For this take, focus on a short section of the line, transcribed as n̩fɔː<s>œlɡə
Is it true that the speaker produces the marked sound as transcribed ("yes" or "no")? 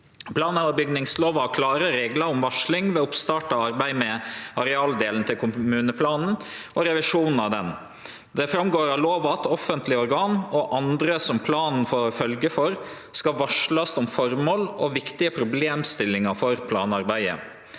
no